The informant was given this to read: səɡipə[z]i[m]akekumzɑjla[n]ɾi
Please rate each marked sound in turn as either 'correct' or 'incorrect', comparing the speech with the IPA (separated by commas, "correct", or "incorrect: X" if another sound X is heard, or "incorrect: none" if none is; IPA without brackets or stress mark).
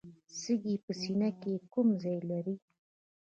incorrect: s, incorrect: n, incorrect: none